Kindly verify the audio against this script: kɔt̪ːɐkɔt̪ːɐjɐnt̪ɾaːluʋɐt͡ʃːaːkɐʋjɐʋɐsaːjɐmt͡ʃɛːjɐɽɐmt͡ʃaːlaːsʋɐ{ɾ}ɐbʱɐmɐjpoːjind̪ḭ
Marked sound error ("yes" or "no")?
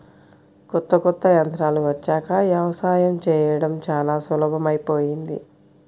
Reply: yes